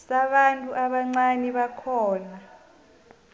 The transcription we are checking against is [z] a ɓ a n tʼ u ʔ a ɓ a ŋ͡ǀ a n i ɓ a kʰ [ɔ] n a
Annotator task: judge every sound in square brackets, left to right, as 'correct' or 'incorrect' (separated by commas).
incorrect, incorrect